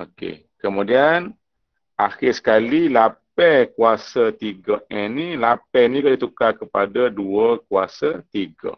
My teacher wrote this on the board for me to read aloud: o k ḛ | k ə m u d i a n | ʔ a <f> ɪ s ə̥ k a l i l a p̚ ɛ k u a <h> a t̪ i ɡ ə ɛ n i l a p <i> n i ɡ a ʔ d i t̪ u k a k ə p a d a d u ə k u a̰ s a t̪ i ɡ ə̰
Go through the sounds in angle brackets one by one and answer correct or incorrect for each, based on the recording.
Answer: incorrect: x, incorrect: s, incorrect: ɛ

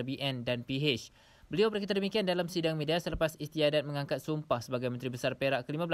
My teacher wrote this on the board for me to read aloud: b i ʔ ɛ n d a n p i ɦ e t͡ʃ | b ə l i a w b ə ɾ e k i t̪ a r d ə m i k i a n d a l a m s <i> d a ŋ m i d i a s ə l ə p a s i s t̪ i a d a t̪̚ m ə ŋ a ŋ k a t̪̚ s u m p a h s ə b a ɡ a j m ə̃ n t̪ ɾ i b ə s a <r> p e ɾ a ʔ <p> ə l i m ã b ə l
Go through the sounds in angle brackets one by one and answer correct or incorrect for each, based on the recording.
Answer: correct, correct, incorrect: k

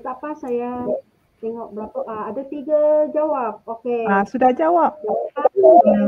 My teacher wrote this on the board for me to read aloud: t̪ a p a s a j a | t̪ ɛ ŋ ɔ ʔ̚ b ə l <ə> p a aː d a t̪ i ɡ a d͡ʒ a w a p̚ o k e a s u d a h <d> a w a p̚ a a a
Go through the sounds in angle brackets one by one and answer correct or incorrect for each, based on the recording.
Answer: incorrect: a, incorrect: d͡ʒ

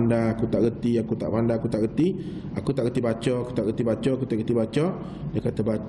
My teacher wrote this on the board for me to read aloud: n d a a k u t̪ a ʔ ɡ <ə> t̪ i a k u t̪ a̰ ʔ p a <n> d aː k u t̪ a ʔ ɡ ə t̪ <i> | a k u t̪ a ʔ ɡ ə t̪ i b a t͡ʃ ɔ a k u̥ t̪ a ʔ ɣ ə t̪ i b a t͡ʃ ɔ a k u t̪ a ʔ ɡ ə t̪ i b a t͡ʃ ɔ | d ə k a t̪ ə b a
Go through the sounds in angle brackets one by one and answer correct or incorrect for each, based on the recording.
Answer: correct, correct, correct

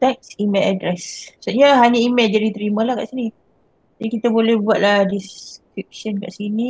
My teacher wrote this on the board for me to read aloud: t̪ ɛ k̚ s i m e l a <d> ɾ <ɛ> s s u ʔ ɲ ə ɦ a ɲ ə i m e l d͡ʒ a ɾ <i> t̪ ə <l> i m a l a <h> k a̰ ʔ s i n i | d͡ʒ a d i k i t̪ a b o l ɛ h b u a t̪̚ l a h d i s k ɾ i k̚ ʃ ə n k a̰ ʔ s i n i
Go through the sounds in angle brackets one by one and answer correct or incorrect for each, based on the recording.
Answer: correct, correct, correct, incorrect: ɾ, correct

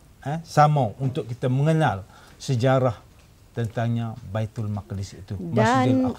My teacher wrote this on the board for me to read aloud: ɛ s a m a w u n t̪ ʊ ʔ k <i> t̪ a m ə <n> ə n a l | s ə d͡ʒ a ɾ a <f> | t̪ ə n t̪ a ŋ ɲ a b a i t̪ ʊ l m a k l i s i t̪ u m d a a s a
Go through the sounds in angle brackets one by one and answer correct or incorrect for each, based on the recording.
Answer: correct, incorrect: ŋ, incorrect: h

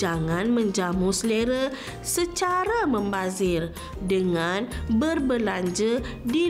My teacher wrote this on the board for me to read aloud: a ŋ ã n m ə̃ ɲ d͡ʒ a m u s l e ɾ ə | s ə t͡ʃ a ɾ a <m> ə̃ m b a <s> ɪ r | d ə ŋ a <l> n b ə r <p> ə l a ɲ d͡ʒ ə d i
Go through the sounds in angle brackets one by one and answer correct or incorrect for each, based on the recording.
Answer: correct, incorrect: z, incorrect: none, incorrect: b

